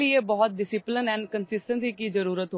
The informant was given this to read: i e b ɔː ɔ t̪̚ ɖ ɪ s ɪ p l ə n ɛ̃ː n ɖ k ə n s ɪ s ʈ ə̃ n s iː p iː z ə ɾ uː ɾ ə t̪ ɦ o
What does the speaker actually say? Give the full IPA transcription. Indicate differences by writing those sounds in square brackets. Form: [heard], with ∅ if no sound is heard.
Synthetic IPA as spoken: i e b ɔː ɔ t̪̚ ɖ ɪ s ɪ p l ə n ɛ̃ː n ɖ k ə n s ɪ s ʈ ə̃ n s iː [k] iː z ə ɾ uː ɾ ə t̪ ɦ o